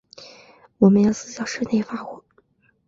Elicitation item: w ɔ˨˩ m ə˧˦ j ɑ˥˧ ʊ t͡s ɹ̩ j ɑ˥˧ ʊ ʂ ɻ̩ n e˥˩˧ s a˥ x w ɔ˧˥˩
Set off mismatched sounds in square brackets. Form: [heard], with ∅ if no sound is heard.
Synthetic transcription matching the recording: w ɔ˨˩ m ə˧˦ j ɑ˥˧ ʊ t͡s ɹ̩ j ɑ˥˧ ʊ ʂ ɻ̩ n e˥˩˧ [f] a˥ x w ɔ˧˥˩